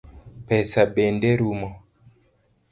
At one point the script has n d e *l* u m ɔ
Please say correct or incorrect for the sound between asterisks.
incorrect